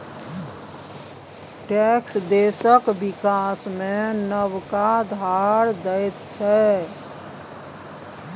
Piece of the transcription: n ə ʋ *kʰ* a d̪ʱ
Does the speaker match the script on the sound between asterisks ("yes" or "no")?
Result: no